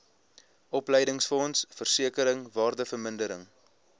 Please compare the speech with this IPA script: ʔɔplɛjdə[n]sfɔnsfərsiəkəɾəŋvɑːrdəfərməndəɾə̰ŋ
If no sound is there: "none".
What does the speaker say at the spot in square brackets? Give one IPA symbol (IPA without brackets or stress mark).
ŋ